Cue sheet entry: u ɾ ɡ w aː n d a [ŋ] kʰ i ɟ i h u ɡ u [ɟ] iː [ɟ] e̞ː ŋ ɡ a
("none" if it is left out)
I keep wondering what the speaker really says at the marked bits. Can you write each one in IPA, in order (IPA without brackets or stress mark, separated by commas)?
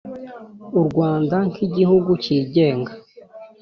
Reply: ŋ, c, ɟ